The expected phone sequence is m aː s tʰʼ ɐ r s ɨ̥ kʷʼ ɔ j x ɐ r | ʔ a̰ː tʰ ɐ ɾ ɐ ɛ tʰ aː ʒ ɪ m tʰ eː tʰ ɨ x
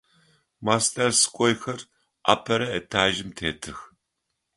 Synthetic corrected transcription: m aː s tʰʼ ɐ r s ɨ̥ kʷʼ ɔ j x ɐ r | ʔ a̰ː pʰ ɐ ɾ ɐ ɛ tʰ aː ʒ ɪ m tʰ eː tʰ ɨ x

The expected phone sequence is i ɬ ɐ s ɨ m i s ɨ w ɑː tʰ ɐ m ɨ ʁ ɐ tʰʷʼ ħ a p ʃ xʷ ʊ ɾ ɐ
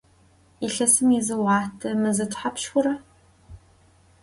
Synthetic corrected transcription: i ɬ ɐ s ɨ m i z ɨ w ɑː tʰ ɐ m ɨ z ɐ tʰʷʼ ħ a p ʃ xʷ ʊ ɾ ɐ

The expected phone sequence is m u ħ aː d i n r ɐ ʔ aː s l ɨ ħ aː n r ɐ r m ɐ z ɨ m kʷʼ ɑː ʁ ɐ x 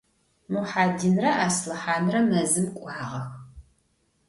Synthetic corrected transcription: m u ħ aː d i n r ɐ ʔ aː s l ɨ ħ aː n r ɐ m ɐ z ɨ m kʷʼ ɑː ʁ ɐ x

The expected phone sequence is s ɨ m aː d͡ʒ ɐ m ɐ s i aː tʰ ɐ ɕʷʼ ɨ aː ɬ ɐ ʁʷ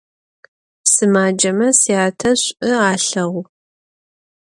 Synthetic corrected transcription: s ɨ m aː d͡ʒ ɐ m ɐ s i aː tʰ ɐ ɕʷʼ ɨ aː ɬ ɐ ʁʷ

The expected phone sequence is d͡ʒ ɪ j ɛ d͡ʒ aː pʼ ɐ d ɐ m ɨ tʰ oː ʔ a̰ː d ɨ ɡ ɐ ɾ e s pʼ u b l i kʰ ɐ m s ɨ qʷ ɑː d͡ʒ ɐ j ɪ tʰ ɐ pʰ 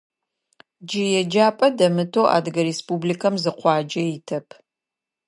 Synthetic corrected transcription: d͡ʒ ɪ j ɛ d͡ʒ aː pʼ ɐ d ɐ m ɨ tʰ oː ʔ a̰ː d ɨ ɡ ɐ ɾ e s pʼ u b l i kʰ ɐ m z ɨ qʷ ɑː d͡ʒ ɐ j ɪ tʰ ɐ pʰ

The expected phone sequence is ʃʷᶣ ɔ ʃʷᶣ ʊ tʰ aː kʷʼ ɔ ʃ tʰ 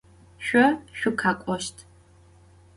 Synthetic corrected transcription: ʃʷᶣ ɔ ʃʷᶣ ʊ kʰ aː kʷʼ ɔ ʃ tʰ

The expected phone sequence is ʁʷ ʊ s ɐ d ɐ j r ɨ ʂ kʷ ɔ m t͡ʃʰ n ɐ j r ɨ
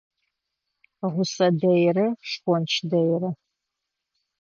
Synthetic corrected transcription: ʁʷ ʊ s ɐ d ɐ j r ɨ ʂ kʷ ɔ n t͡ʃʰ d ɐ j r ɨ

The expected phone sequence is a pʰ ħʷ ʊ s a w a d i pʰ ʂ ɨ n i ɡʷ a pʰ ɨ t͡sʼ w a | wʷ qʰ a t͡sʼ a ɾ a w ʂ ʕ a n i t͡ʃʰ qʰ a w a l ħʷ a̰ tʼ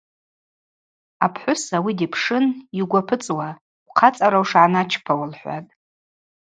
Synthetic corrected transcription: a pʰ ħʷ ʊ s a w i d i pʰ ʂ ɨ n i ɡʷ a pʰ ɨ t͡sʼ w a | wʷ qʰ a t͡sʼ a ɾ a w ʂ ʕ a n a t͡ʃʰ pʰ a w a l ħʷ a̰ tʼ

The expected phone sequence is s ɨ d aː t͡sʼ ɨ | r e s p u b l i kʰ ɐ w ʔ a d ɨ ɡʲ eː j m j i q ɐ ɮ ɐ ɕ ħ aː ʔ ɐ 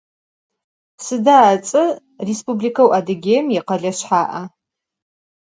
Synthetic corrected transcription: s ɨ d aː t͡sʼ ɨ | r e s p u b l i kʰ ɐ w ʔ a d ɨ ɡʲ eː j m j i q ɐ ɮ ɐ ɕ ħ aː ʔ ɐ

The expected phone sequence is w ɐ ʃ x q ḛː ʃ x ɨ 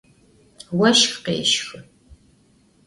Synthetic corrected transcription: w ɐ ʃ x q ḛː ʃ x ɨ

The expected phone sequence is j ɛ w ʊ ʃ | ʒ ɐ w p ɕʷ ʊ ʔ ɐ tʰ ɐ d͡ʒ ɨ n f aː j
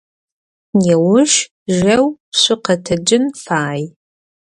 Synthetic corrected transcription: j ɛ w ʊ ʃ | ʒ ɐ w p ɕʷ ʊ q ɐ tʰ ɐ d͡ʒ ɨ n f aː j

